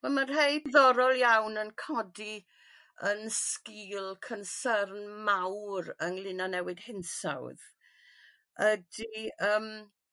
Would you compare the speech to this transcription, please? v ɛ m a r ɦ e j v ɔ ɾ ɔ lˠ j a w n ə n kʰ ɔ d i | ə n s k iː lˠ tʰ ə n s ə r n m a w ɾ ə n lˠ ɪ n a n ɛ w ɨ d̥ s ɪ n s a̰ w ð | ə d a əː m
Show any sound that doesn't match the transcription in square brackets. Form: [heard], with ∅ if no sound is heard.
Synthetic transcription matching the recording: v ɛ m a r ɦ e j [ð] ɔ ɾ ɔ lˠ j a w n ə n kʰ ɔ d i | ə n s k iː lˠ [kʰ] ə n s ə r n m a w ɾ ə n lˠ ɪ n a n ɛ w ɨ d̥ [h] ɪ n s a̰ w ð | ə d [i] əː m

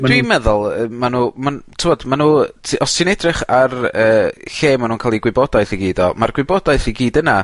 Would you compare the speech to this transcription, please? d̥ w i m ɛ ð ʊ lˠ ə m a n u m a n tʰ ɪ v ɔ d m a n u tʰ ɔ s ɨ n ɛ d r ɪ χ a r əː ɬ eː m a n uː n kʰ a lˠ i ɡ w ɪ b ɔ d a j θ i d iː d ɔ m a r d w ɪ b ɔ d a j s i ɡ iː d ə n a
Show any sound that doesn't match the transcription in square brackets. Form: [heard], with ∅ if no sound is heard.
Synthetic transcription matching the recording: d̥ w i m ɛ ð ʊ lˠ ə m a n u m a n tʰ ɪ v ɔ d m a n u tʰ ɔ s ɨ n ɛ d r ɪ χ a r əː ɬ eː m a n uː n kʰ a lˠ i ɡ w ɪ b ɔ d a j θ i [ɡ] iː d ɔ m a r [ɡ] w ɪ b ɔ d a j [θ] i ɡ iː d ə n a

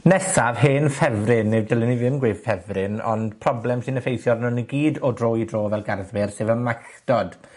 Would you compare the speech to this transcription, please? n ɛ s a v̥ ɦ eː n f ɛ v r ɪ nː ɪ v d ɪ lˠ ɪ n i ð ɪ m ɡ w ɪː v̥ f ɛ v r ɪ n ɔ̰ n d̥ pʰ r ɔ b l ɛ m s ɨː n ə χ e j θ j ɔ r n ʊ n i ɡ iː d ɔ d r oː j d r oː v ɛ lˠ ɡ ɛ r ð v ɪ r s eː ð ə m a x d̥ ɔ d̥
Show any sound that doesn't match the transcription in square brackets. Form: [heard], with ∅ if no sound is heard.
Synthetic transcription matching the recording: n ɛ s a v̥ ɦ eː n f ɛ v r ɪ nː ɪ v d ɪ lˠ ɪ n i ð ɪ m ɡ w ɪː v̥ f ɛ v r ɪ n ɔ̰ n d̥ pʰ r ɔ b l ɛ m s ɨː n ə [f] e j θ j ɔ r n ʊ n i ɡ iː d ɔ d r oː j d r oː v ɛ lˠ ɡ [a] r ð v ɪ r s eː [v] ə m a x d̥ ɔ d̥

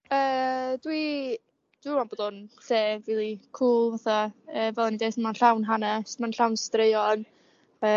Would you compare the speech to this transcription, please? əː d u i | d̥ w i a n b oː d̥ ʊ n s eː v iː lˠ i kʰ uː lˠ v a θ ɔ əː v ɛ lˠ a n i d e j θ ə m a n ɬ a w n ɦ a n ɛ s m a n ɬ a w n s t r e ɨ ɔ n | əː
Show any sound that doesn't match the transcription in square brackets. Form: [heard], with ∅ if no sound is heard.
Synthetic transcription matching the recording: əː d [w] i | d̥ w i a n b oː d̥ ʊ n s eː v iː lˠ i kʰ uː lˠ v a θ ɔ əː v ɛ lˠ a n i d e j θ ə m a n ɬ a w n ɦ a n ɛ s m a n ɬ a w n s t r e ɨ ɔ n | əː

